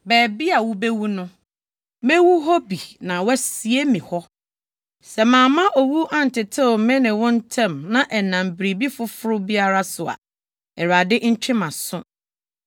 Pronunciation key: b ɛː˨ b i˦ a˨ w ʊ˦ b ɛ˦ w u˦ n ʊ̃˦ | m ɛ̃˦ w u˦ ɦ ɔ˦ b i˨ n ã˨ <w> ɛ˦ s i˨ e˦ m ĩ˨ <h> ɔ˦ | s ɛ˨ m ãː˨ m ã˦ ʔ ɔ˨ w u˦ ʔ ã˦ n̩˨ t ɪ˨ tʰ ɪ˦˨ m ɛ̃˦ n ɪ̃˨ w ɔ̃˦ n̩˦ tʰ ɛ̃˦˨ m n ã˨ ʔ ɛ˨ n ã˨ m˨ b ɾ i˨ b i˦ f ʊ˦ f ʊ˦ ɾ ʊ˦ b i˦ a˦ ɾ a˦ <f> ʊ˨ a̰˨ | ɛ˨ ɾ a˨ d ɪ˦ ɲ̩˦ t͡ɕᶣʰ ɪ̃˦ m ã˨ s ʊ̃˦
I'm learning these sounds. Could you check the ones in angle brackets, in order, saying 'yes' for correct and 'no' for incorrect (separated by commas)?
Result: yes, yes, no